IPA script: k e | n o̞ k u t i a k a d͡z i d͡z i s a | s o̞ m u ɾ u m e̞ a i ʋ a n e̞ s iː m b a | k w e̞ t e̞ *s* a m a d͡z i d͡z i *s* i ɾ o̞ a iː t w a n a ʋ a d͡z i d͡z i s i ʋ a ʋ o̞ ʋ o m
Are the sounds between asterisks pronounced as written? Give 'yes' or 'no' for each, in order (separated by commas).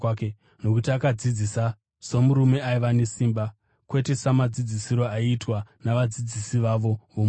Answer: yes, yes